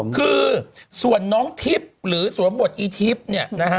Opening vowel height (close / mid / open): close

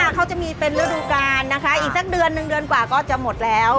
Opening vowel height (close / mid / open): open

